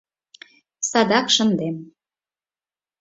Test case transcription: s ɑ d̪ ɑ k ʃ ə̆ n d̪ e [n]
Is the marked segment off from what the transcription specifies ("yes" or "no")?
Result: yes